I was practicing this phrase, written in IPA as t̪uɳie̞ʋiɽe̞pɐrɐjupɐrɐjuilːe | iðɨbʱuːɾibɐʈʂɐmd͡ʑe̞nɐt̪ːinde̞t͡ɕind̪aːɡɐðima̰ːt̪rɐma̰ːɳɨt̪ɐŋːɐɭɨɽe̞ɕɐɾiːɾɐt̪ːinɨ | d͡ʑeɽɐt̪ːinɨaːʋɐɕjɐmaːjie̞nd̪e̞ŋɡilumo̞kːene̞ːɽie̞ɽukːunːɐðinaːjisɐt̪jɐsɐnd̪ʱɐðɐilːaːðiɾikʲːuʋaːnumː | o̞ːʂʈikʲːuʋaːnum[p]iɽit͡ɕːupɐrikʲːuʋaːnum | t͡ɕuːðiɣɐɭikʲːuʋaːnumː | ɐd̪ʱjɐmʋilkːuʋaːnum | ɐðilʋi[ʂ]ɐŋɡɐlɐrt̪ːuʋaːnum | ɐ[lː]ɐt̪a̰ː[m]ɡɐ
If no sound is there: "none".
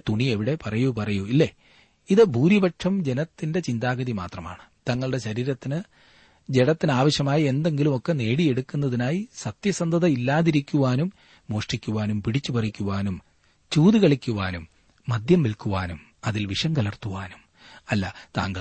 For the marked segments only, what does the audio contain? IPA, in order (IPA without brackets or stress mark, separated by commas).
p, ʂ, lː, ŋ